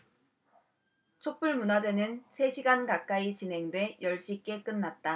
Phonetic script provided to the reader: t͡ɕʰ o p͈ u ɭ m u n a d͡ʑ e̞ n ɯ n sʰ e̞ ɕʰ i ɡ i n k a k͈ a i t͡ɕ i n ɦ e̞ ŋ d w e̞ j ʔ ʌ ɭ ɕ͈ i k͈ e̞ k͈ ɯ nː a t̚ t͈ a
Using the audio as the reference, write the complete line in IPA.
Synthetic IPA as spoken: t͡ɕʰ o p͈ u ɭ m u n a d͡ʑ e̞ n ɯ n sʰ e̞ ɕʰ i ɡ a n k a k͈ a i t͡ɕ i n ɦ e̞ ŋ d w e̞ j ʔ ʌ ɭ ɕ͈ i k͈ e̞ k͈ ɯ nː a t̚ t͈ a

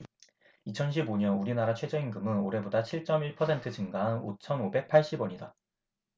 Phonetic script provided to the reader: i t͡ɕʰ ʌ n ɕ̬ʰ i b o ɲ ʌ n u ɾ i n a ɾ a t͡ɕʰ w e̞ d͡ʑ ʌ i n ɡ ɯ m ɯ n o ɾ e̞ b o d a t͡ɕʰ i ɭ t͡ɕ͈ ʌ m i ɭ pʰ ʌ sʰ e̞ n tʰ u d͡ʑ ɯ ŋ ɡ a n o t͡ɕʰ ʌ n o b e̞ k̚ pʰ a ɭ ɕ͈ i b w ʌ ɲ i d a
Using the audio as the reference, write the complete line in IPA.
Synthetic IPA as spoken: i t͡ɕʰ ʌ n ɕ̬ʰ i b o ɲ ʌ n u ɾ i n a ɾ a t͡ɕʰ w e̞ d͡ʑ ʌ i n ɡ ɯ m ɯ n o ɾ e̞ b o d a t͡ɕʰ i ɭ t͡ɕ͈ ʌ m i ɭ pʰ ʌ sʰ e̞ n tʰ ɯ d͡ʑ ɯ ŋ ɡ a n o t͡ɕʰ ʌ n o b e̞ k̚ pʰ a ɭ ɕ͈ i b w ʌ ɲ i d a

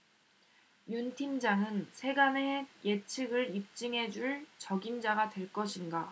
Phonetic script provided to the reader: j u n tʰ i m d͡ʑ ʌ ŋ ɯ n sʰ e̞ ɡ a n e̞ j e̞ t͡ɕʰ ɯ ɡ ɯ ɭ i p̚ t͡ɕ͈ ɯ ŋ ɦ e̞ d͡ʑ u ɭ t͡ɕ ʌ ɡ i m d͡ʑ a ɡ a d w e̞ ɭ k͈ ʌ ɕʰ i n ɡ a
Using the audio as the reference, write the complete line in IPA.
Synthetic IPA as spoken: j u n tʰ i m d͡ʑ a ŋ ɯ n sʰ e̞ ɡ a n e̞ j e̞ t͡ɕʰ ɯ ɡ ɯ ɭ i p̚ t͡ɕ͈ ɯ ŋ ɦ e̞ d͡ʑ u ɭ t͡ɕ ʌ ɡ i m d͡ʑ a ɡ a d w e̞ ɭ k͈ ʌ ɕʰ i n ɡ a

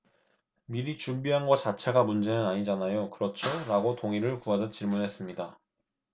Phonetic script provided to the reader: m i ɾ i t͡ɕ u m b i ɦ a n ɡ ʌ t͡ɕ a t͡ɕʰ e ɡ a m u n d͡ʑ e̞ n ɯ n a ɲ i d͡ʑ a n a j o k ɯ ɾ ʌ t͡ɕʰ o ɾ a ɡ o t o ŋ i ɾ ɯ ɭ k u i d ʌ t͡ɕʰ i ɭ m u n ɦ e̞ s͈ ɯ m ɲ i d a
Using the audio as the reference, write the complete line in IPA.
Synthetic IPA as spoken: m i ɾ i t͡ɕ u m b i ɦ a n ɡ ʌ t͡ɕ a t͡ɕʰ e ɡ a m u n d͡ʑ e̞ n ɯ n a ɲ i d͡ʑ a n a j o k ɯ ɾ ʌ t͡ɕʰ o ɾ a ɡ o t o ŋ i ɾ ɯ ɭ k u a d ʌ t͡ɕ i ɭ m u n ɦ e̞ s͈ ɯ m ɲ i d a

